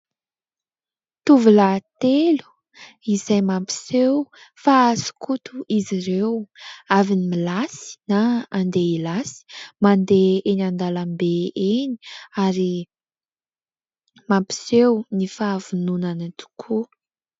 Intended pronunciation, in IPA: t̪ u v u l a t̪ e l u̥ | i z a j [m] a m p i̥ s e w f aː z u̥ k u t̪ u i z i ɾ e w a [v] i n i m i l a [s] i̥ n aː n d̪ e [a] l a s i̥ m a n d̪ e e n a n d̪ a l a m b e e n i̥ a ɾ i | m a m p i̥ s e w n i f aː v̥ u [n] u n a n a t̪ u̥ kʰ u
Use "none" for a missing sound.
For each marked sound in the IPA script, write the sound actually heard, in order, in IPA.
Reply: m, v, s, i, n

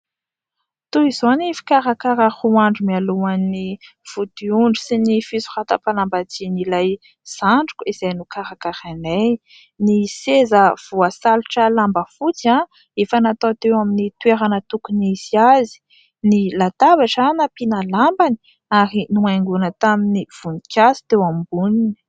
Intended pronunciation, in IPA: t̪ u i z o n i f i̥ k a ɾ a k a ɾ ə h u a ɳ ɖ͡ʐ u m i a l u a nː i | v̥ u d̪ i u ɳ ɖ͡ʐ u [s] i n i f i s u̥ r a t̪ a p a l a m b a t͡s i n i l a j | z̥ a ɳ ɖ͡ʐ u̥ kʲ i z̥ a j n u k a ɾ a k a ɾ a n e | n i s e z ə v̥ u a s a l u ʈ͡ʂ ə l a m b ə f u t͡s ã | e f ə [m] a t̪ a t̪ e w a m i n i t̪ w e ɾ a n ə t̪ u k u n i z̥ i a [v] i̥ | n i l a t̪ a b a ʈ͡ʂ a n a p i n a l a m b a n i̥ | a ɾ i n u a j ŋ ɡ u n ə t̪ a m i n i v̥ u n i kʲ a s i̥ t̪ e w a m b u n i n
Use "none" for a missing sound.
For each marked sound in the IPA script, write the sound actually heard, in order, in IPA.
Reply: s, n, z

